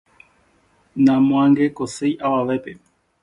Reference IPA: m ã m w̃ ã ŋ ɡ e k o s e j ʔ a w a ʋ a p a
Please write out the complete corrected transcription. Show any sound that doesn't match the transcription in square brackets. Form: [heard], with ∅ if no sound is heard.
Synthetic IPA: [n] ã m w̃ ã ŋ ɡ e k o s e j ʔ a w a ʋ [e] p [e]

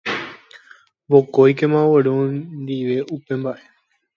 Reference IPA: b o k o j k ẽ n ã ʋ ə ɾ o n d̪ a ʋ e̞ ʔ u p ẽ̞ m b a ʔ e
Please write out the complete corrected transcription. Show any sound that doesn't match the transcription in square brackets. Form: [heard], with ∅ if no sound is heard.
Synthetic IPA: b o k o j k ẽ [m] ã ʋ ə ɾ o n d̪ [i] ʋ e̞ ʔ u p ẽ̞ m b a ʔ e

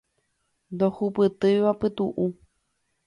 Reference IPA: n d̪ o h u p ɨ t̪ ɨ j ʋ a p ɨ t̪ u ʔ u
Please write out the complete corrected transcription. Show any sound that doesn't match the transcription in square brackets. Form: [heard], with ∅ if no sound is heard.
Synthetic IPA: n d̪ o h u p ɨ t̪ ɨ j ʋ a p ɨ t̪ u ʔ u

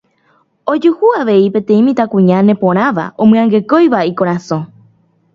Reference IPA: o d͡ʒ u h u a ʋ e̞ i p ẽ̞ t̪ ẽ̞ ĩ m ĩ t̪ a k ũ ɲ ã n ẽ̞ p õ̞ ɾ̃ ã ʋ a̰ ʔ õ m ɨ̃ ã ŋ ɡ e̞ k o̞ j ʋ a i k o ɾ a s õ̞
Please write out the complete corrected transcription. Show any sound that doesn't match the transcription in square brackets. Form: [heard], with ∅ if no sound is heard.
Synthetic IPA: o d͡ʒ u h u a ʋ e̞ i p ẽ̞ t̪ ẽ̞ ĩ m ĩ t̪ a k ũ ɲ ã n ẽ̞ p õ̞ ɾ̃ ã ʋ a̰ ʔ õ m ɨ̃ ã ŋ ɡ e̞ k o̞ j ʋ a i k o ɾ a s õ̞

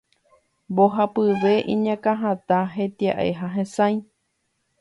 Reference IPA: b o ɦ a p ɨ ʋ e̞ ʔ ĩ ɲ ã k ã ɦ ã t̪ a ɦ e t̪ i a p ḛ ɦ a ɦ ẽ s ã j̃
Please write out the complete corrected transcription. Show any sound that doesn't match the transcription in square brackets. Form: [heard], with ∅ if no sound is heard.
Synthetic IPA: b o ɦ a p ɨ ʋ e̞ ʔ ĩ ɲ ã k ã ɦ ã t̪ a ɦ e t̪ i a [ʔ] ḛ ɦ a ɦ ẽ s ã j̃

